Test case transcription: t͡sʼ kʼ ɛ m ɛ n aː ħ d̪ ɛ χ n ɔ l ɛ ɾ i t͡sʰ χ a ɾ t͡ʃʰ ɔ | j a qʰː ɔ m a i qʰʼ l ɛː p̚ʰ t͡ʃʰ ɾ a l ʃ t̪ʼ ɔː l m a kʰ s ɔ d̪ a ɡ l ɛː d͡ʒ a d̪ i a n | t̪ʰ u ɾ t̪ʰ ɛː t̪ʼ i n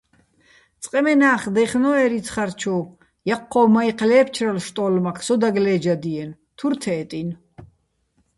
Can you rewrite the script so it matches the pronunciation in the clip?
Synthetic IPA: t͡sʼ qʼ ɛ m ɛ n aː χ d̪ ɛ χ n ɔ ɛ ɾ i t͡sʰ χ a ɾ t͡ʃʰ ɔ | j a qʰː ɔ m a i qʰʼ l ɛː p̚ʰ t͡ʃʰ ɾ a l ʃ t̪ʼ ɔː l m a kʰ s ɔ d̪ a ɡ l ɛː d͡ʒ a d̪ i ɛ n | t̪ʰ u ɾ t̪ʰ ɛː t̪ʼ i n